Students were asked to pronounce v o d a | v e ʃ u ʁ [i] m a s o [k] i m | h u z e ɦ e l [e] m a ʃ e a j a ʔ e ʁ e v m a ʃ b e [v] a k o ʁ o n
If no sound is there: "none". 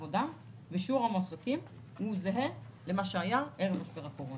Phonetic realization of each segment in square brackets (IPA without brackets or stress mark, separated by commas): a, k, e, ʁ